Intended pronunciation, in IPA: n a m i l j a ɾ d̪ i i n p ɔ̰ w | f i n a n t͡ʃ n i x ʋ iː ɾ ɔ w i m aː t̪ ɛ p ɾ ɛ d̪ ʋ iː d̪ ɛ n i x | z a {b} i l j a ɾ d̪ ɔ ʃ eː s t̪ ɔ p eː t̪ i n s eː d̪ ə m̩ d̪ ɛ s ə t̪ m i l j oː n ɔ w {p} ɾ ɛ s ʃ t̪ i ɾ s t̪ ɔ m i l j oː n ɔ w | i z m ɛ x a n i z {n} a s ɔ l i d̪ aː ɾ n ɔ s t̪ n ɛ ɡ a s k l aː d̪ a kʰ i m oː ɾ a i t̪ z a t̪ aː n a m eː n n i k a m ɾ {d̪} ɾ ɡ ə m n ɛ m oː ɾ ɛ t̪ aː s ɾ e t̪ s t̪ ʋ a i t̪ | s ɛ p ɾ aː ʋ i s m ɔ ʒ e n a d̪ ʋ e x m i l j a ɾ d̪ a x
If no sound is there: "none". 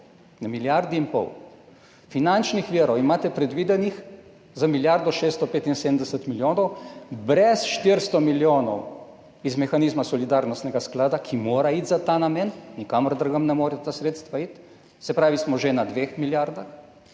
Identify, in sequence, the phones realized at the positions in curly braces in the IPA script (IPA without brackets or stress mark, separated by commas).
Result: m, b, m, d̪